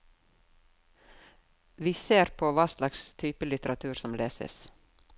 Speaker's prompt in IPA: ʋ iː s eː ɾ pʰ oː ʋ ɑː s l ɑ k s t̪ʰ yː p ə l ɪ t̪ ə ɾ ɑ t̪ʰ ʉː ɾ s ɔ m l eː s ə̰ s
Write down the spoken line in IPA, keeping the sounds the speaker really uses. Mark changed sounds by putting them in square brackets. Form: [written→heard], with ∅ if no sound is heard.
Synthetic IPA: ʋ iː s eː ɾ pʰ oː ʋ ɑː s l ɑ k s t̪ʰ yː p ə l ɪ t̪ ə ɾ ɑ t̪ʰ ʉː ɾ s ɔ m l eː s ə̰ s